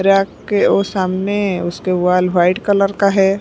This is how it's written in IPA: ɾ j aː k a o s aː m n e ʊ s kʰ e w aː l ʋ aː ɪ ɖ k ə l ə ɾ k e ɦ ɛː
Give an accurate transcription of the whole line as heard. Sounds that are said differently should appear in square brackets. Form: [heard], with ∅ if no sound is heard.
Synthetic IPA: ɾ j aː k [e] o s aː m n e ʊ s [k] e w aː l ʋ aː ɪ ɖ k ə l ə ɾ k [a] ɦ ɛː